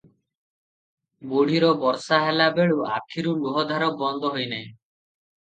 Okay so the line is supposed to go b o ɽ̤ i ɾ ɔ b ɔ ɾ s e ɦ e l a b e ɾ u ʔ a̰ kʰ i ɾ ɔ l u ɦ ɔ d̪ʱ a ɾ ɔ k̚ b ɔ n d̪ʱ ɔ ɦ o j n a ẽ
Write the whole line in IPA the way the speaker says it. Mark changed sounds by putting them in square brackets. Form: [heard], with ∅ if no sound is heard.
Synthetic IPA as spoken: b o ɽ̤ i ɾ ɔ b ɔ ɾ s [a] ɦ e l a b e [ɭ] u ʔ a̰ kʰ i ɾ [u] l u ɦ ɔ d̪ʱ a ɾ ɔ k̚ b ɔ n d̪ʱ ɔ ɦ o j n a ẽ